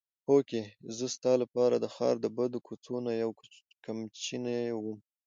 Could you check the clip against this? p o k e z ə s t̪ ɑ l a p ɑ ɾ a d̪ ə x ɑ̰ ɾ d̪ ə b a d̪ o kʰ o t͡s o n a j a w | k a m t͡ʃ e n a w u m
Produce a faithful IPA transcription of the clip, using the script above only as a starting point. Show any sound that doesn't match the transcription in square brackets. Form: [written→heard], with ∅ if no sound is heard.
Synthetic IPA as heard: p o k e z ə s t̪ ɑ l a p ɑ ɾ a d̪ ə x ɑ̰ ɾ d̪ ə b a d̪ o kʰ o t͡s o n a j a w | k a m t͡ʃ [e→i] n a w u m

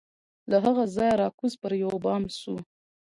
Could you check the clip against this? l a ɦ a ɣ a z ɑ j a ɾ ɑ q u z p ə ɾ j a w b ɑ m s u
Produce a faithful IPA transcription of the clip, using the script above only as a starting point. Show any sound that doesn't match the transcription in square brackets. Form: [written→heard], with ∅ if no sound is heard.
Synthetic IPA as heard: l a ɦ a ɣ a z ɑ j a ɾ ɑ [q→k] u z p ə ɾ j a w b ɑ m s u

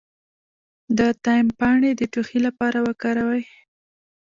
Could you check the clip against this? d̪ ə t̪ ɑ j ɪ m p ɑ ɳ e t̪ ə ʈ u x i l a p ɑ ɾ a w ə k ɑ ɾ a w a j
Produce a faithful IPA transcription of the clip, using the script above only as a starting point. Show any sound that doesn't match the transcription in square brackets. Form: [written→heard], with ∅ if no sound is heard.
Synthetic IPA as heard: d̪ ə t̪ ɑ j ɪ m p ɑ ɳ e [t̪→d̪] ə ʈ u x i l a p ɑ ɾ a w ə k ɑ ɾ a w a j

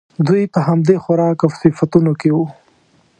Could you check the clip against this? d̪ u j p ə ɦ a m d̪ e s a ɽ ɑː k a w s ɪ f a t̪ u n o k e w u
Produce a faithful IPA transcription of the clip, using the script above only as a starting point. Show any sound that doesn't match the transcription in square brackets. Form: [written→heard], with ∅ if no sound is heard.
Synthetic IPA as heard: d̪ u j p ə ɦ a m d̪ e [s→x] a [ɽ→ɾ] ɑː k a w s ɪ f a t̪ u n o k e w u

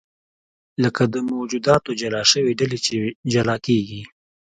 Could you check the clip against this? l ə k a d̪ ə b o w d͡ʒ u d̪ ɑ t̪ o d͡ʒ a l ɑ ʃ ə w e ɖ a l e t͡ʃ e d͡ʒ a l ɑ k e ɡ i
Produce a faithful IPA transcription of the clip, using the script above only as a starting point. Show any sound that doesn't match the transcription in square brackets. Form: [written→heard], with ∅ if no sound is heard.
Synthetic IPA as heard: l ə k a d̪ ə [b→m] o w d͡ʒ u d̪ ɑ t̪ o d͡ʒ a l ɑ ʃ ə w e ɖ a l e t͡ʃ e d͡ʒ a l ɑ k e ɡ i

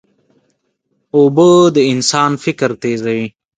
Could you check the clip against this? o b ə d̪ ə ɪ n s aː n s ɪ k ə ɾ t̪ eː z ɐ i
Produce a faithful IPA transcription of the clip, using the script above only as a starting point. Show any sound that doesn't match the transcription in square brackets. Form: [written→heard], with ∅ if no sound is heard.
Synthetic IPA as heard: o b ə d̪ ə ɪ n s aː n [s→f] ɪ k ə ɾ t̪ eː z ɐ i

